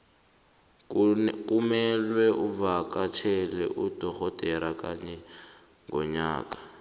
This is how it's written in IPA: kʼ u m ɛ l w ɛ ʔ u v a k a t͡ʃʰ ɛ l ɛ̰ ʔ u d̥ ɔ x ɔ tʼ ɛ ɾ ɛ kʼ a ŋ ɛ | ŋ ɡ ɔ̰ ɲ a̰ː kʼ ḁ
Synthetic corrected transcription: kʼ u m ɛ l w ɛ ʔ u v a k a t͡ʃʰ ɛ l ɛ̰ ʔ u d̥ ɔ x ɔ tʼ ɛ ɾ a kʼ a ɲ ɛ | ŋ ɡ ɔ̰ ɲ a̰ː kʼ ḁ